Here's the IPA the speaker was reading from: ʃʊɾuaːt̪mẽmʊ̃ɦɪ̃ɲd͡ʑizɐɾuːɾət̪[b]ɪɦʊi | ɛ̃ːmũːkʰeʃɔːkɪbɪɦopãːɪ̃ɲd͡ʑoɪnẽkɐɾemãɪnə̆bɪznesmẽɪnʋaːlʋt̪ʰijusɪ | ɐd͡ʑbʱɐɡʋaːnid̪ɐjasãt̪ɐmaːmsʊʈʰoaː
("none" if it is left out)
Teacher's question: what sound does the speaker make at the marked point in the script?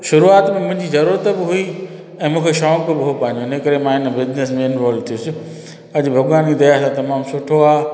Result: b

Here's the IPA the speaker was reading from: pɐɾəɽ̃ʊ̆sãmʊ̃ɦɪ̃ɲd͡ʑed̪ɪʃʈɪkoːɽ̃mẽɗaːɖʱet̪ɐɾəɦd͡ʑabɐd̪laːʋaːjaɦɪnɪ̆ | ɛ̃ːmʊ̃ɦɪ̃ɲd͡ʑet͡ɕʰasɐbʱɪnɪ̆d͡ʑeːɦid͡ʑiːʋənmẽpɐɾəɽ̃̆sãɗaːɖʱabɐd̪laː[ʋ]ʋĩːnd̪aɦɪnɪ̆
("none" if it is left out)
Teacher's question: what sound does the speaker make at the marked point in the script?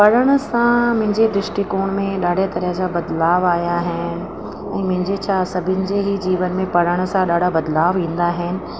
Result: ʋ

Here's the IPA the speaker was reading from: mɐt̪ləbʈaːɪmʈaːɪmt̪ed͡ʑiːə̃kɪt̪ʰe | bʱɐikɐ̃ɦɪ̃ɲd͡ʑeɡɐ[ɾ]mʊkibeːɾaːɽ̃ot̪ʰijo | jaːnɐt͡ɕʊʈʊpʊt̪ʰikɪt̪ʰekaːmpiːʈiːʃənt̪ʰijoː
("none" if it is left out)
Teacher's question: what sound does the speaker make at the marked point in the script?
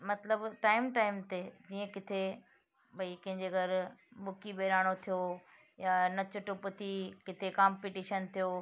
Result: ɾ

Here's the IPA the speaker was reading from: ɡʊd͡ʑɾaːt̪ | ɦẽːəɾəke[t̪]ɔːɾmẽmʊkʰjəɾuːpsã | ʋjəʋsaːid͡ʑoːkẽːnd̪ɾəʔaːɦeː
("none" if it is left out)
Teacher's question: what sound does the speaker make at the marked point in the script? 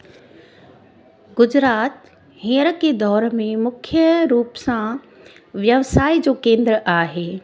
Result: d̪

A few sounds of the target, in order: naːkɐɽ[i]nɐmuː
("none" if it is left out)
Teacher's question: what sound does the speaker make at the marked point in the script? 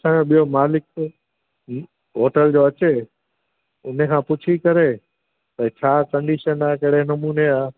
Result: e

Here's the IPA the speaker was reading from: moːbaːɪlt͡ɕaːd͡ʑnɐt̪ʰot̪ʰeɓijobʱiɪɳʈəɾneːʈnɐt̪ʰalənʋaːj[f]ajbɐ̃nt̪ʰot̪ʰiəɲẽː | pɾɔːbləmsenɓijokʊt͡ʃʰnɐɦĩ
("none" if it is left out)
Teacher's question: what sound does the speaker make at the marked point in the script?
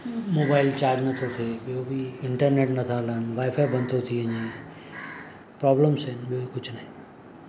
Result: f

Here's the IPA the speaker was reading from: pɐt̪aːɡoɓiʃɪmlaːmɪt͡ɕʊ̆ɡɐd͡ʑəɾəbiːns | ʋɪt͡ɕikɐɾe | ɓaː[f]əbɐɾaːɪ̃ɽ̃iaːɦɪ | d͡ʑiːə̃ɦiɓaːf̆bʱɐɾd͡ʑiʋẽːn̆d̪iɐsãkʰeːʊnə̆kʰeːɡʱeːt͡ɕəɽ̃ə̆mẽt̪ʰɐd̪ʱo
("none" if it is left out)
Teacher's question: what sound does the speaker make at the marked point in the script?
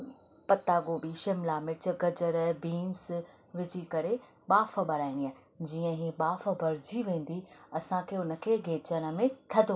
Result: f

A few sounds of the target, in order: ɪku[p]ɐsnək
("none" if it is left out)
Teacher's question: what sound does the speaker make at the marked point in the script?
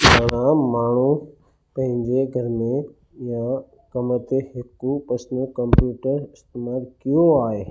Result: p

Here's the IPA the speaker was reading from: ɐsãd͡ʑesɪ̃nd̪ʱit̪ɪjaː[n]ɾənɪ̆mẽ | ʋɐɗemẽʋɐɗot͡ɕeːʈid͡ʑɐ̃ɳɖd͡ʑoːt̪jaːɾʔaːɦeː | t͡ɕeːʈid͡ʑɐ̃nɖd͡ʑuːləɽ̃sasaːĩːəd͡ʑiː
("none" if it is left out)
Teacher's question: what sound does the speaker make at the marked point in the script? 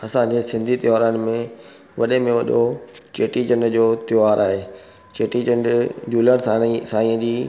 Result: none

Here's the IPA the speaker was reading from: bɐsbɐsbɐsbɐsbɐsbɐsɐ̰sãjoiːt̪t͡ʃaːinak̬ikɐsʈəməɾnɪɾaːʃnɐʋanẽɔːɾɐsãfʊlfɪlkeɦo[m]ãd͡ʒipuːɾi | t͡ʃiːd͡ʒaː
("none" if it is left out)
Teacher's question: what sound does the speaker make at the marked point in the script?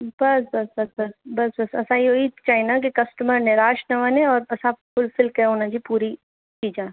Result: n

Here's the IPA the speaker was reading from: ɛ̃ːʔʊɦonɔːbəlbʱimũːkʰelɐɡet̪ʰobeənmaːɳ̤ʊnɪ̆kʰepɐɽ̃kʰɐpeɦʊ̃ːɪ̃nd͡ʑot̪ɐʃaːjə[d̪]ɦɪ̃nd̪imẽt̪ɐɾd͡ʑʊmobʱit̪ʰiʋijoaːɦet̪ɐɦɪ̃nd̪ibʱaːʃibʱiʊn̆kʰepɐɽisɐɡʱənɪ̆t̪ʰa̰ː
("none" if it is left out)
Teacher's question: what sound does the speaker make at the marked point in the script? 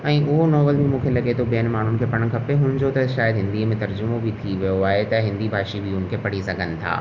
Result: d̪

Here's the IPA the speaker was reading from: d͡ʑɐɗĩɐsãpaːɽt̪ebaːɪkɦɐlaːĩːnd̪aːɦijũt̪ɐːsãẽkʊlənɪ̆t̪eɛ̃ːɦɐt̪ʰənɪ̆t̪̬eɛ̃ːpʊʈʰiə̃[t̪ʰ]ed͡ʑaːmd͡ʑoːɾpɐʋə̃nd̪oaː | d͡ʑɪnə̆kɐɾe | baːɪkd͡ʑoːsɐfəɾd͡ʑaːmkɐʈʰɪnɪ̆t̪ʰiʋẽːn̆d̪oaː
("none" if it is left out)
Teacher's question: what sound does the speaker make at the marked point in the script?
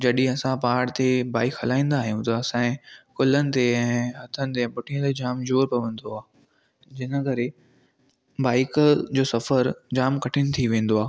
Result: t̪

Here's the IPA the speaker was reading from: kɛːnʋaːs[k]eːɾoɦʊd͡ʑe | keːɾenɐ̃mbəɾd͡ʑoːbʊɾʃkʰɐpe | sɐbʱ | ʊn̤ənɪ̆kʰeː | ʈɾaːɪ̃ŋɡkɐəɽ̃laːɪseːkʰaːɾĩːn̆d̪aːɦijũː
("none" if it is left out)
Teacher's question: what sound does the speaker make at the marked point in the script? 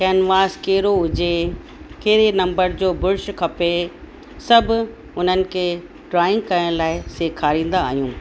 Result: k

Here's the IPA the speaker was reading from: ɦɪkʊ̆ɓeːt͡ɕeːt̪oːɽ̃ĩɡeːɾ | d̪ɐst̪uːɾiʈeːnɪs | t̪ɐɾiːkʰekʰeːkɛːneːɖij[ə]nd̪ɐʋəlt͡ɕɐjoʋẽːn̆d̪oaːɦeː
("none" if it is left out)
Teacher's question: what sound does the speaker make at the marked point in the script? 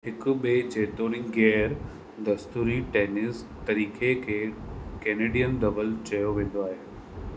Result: ə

